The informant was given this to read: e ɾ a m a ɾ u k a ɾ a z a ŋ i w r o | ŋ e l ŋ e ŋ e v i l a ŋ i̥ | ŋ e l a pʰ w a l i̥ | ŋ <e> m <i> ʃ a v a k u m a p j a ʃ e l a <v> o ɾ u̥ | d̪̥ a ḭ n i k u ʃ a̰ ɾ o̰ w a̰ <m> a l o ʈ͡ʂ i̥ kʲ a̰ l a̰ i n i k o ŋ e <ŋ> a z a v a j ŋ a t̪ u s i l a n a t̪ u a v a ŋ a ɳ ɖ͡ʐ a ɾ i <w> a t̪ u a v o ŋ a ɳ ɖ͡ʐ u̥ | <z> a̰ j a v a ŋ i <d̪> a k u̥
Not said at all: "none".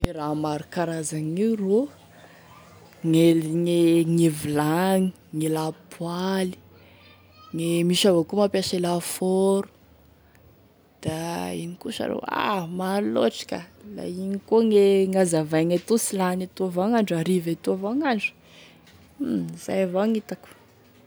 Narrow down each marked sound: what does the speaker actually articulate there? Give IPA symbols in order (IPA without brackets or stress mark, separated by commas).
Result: e, i, f, m, ŋ, v, z, t̪